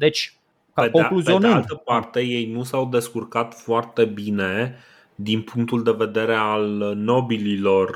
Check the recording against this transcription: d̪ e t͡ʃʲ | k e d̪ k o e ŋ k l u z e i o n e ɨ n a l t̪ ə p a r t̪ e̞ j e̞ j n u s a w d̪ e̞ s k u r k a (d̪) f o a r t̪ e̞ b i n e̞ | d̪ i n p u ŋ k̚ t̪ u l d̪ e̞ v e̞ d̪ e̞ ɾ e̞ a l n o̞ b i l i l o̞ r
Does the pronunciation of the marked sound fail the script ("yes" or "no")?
yes